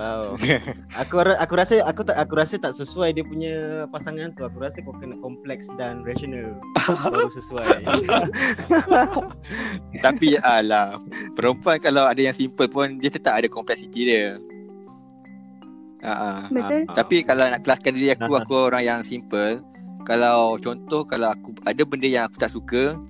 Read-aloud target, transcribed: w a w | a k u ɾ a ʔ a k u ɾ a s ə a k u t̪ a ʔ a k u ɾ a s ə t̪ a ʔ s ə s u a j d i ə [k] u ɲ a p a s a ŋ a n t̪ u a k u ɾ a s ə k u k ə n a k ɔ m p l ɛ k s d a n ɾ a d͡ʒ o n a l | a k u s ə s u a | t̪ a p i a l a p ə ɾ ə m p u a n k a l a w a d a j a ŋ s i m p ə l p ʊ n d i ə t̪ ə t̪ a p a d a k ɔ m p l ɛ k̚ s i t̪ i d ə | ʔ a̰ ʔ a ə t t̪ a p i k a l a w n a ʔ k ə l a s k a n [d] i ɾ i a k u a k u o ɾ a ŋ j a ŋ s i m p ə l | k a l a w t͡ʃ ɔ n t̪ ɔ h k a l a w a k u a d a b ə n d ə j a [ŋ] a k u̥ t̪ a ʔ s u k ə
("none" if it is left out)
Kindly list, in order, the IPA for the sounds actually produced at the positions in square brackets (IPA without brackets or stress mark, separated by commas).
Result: p, d, ŋ